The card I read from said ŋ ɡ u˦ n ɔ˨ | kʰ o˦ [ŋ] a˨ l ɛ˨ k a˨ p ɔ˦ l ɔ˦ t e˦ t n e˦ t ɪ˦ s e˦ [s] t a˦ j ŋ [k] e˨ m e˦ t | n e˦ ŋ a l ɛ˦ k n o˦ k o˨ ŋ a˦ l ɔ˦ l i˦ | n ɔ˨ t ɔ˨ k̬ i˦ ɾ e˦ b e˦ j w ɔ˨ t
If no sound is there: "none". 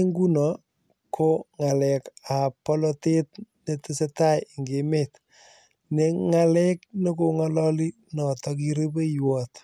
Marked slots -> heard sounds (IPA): ŋ, none, ɡ

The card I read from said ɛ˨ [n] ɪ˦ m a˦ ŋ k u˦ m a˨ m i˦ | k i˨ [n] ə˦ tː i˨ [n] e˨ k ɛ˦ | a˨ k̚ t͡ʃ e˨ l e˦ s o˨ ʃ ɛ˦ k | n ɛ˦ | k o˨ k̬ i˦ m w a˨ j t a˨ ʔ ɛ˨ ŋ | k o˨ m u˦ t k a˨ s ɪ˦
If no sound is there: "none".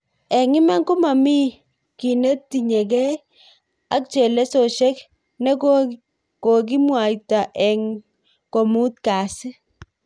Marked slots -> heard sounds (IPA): ŋ, n, ɲ

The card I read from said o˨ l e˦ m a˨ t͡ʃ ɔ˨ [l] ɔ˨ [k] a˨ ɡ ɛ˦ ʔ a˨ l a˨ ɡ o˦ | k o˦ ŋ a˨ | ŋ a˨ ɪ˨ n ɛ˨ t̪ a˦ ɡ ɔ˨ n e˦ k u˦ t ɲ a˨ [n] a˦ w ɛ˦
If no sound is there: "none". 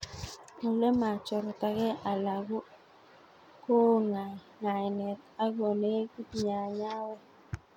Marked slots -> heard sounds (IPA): ɾ, t, ɲ

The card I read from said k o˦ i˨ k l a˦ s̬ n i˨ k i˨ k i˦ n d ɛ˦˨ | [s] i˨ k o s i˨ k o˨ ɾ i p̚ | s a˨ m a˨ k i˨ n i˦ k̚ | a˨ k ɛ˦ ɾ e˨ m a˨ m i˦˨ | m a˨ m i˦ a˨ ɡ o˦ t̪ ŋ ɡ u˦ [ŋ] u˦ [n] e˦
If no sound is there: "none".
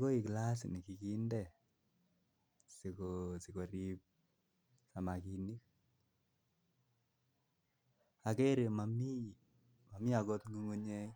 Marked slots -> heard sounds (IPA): s, ŋ, ɲ

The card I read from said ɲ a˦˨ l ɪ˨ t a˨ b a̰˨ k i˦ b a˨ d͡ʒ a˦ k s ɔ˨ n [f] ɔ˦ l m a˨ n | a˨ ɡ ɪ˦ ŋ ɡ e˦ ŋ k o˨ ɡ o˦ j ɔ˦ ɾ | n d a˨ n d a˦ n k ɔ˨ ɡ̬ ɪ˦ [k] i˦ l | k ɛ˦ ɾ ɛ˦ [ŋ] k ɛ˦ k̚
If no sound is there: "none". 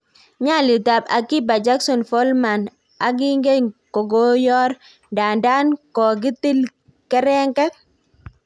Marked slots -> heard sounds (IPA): f, t, ŋ

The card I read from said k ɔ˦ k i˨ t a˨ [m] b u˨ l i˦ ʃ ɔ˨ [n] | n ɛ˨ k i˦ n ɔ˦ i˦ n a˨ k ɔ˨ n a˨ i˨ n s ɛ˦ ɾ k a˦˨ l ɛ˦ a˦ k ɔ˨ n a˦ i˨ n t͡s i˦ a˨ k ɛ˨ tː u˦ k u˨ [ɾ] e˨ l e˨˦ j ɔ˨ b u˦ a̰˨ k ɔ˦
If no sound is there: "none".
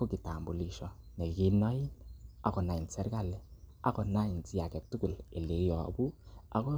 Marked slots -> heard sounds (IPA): m, none, l

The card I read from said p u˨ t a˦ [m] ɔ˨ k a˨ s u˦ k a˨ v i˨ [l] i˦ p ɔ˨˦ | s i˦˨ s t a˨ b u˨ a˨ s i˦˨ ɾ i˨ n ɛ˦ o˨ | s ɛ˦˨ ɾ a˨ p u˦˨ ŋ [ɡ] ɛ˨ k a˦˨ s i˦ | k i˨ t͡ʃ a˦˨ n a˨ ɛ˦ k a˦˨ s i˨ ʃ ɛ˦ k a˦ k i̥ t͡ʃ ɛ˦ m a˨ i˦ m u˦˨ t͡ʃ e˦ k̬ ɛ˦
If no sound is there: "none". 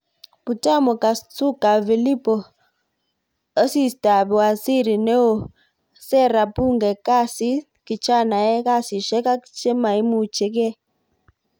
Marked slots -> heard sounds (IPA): m, l, ɡ

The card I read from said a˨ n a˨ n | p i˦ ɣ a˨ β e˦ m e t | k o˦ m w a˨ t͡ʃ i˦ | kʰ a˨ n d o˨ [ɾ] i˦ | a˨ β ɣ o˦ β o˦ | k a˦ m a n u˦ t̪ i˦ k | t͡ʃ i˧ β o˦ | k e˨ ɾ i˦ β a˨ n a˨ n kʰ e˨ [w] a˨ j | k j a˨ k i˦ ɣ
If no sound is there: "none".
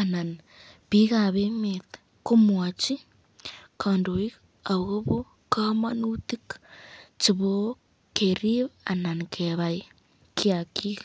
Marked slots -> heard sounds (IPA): none, β

